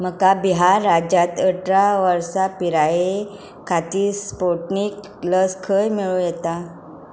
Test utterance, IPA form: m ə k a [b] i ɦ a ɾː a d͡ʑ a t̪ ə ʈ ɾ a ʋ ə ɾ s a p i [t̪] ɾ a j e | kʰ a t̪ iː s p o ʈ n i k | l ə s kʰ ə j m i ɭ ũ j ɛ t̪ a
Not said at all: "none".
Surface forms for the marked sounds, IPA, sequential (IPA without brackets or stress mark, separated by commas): b, none